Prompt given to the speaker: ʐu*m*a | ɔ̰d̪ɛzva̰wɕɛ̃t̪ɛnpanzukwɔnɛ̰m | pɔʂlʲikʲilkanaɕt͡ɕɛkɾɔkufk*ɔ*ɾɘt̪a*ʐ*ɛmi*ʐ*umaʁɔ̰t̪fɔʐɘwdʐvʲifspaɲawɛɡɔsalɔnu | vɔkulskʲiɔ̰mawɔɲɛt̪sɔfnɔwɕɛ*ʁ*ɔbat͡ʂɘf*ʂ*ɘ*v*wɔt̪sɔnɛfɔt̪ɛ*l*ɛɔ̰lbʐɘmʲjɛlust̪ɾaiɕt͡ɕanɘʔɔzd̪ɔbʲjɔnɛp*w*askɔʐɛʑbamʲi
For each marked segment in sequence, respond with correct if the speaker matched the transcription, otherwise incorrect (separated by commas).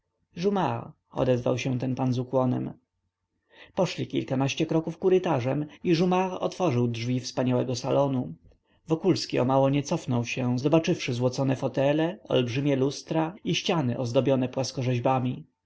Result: correct, incorrect, correct, correct, incorrect, correct, incorrect, correct, correct